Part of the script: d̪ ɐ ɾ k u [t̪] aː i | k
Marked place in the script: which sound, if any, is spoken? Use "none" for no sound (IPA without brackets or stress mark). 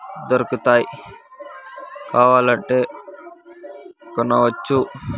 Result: t̪